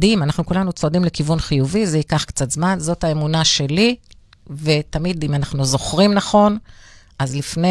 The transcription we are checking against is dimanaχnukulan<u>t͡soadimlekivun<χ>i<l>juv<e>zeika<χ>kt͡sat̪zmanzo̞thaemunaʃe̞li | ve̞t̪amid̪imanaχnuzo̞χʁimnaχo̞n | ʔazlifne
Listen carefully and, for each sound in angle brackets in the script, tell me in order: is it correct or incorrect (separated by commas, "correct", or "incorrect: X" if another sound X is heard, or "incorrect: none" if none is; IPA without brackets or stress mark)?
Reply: correct, correct, incorrect: none, incorrect: i, correct